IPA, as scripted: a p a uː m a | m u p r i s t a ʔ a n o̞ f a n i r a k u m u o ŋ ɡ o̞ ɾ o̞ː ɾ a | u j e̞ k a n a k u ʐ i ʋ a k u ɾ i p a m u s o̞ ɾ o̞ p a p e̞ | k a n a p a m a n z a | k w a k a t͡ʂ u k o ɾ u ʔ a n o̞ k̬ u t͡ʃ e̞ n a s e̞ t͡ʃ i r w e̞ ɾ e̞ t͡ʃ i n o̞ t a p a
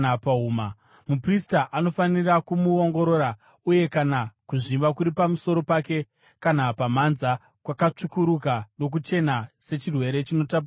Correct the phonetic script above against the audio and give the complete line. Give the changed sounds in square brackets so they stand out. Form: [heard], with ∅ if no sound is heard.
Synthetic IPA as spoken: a p a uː m a | m u p r i s t a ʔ a n o̞ f a n i r a k u m u o ŋ ɡ o̞ ɾ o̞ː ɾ a | u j e̞ k a n a k u ʐ i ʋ a k u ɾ i p a m u s o̞ ɾ o̞ p a [k] e̞ | k a n a p a m a n z a | k w a k a t͡ʂ u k [u] ɾ u [k] a n o̞ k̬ u t͡ʃ e̞ n a s e̞ t͡ʃ i r w e̞ ɾ e̞ t͡ʃ i n o̞ t a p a